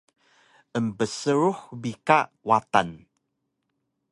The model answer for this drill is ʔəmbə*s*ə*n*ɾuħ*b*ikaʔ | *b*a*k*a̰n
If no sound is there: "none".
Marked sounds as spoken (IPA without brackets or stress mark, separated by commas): s, none, b, w, t